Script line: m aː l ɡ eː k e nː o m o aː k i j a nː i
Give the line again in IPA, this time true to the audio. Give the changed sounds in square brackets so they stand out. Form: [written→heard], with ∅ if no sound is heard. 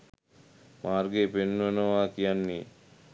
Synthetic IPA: m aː [l→ɾ] ɡ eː [k→p] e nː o [m→n] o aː k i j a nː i